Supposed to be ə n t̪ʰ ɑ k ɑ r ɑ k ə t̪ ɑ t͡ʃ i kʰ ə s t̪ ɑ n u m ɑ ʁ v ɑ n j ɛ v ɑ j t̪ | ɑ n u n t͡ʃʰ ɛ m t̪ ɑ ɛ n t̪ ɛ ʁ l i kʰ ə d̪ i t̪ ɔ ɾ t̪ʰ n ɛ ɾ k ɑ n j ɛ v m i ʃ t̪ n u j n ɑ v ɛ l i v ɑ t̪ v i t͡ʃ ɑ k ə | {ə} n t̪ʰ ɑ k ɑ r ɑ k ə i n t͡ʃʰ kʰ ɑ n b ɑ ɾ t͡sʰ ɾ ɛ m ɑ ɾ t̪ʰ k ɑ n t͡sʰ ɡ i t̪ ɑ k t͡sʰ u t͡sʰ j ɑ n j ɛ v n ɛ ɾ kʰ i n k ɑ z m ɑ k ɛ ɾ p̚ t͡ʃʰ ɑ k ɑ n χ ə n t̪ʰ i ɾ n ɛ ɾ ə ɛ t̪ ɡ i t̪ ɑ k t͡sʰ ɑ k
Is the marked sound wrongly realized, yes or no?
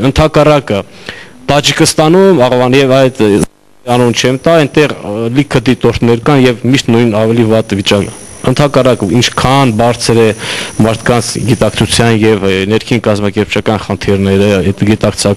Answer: no